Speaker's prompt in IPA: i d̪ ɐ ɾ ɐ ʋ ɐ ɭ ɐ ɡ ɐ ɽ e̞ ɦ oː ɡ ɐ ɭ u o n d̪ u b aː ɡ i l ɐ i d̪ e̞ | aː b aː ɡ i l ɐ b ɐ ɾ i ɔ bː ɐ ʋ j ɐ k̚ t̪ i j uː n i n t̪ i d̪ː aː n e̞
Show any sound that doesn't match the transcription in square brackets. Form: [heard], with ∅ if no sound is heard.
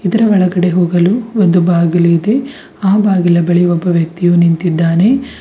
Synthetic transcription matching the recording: i d̪ ɐ ɾ ɐ ʋ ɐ ɭ ɐ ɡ ɐ ɽ e̞ ɦ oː ɡ ɐ [l] u o n d̪ u b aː ɡ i l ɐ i d̪ e̞ | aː b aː ɡ i l ɐ b ɐ [ɭ] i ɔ bː ɐ ʋ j ɐ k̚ t̪ i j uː n i n t̪ i d̪ː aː n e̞